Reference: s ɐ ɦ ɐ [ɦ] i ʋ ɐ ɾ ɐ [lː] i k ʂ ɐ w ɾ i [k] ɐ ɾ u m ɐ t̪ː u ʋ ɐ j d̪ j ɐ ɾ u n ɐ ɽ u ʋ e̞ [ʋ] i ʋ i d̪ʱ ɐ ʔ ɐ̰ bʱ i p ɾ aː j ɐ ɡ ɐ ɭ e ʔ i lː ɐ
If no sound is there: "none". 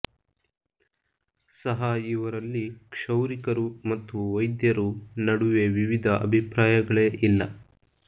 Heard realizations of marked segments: none, lː, k, ʋ

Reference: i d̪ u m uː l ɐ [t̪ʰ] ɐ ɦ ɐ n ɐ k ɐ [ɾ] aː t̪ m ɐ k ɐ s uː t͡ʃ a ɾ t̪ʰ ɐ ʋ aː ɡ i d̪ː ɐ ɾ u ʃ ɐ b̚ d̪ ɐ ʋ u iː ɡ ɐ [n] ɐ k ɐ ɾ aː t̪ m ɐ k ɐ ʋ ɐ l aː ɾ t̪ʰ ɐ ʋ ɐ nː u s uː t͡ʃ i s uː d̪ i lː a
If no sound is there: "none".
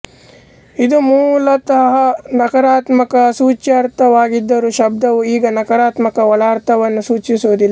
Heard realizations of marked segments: t̪, ɾ, n

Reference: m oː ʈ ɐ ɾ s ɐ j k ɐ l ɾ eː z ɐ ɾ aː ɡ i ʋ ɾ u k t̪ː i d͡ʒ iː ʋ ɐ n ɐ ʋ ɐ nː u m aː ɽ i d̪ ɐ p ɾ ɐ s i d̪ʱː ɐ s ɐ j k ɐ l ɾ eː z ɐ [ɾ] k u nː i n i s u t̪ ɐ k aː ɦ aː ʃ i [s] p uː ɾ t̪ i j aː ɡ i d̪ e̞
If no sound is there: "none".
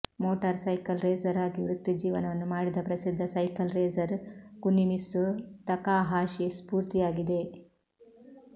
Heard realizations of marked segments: ɾ, s

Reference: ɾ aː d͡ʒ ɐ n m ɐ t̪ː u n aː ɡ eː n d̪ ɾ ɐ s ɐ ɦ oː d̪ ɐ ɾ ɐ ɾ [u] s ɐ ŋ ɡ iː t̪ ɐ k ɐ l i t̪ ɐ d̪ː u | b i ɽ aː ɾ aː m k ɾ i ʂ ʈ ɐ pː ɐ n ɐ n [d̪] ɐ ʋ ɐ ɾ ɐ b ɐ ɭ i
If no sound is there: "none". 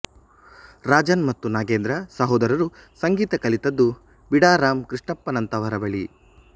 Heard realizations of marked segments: u, t̪

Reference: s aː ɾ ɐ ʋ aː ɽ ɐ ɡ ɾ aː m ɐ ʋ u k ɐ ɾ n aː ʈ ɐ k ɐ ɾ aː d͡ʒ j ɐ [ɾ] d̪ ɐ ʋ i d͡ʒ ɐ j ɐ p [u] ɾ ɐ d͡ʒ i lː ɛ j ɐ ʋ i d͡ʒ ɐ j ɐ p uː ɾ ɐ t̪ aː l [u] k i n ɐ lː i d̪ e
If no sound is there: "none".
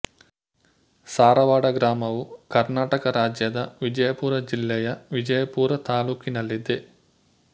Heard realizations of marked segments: none, uː, uː

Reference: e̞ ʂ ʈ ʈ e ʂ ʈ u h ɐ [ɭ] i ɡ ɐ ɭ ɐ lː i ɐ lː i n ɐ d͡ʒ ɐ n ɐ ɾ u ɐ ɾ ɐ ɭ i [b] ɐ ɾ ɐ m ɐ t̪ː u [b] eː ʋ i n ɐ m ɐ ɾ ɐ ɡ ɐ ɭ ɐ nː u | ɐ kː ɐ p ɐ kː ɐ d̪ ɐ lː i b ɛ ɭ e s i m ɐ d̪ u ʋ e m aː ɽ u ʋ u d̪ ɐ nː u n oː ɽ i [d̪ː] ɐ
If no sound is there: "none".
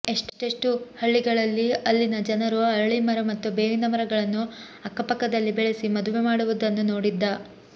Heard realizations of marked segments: ɭː, m, b, d̪ː

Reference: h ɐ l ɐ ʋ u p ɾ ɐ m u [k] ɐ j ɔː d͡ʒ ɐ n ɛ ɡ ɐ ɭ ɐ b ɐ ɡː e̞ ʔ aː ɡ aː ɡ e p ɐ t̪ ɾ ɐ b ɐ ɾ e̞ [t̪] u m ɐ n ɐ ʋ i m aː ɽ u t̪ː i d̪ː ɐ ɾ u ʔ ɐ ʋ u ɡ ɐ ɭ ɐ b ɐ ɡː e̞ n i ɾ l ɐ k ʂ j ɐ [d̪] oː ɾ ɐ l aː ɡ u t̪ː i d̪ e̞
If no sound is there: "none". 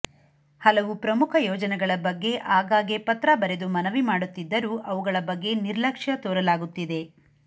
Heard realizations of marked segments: kʰ, d̪, t̪

